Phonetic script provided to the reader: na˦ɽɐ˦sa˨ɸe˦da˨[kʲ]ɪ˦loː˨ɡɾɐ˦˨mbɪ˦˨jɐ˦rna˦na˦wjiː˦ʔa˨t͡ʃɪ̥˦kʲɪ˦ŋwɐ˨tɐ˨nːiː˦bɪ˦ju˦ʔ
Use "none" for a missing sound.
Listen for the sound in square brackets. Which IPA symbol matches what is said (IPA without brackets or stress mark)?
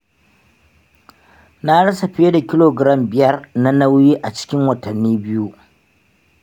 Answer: kʲ